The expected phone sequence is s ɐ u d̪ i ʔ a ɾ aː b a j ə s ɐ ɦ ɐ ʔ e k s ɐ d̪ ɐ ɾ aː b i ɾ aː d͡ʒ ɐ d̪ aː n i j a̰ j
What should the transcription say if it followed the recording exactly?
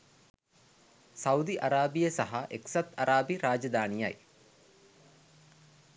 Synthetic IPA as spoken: s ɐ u d̪ i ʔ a ɾ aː b i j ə s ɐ ɦ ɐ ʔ e k s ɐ t̪ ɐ ɾ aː b i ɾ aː d͡ʒ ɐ d̪ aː n i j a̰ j